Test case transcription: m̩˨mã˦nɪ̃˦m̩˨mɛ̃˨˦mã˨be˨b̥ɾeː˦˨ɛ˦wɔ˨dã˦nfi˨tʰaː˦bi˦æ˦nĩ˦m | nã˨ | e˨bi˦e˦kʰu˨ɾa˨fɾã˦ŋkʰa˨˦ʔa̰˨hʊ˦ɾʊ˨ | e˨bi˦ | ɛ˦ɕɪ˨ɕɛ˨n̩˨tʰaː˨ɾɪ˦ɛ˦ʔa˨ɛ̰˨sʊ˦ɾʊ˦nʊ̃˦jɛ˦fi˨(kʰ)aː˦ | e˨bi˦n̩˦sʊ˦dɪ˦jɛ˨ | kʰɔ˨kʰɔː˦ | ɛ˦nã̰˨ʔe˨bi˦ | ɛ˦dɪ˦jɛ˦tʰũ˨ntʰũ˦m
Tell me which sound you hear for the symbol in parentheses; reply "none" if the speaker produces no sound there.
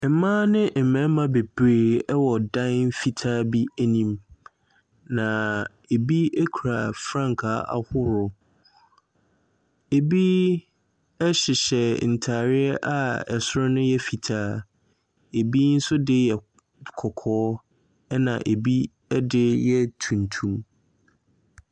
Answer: tʰ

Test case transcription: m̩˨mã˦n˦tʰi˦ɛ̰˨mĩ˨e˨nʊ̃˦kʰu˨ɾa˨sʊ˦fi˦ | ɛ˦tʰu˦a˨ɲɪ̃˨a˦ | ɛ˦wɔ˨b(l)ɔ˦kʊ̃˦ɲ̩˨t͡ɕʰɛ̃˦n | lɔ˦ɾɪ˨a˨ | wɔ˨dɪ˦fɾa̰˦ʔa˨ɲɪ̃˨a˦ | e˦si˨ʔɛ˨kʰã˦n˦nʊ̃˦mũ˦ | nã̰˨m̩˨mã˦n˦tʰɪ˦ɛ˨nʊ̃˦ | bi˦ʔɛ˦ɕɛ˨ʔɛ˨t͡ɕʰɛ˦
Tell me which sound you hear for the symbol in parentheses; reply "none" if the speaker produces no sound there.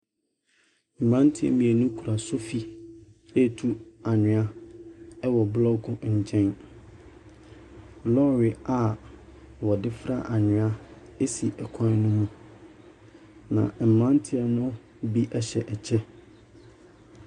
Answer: l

